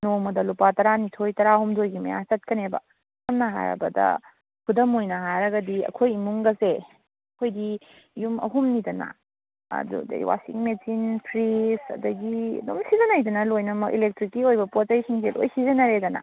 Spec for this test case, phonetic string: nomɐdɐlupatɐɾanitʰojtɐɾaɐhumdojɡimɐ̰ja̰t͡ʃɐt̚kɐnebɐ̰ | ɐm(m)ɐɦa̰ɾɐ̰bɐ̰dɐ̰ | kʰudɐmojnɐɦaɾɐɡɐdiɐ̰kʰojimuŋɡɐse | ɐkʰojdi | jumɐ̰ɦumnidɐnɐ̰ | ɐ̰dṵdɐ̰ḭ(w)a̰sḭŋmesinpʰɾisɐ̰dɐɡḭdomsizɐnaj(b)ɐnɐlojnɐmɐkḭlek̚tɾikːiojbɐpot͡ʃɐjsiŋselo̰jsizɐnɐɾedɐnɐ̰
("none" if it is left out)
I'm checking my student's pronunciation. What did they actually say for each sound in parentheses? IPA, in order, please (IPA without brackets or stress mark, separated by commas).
n, w, d